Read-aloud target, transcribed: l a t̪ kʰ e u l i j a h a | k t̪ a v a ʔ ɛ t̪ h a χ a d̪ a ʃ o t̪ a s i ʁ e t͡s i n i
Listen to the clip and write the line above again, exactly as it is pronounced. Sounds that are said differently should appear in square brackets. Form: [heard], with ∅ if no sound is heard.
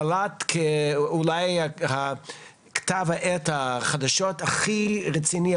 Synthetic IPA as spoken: l a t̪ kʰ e u l [a] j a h a | k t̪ a v a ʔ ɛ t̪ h a χ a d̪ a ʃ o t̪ a [χ] i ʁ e t͡s i n i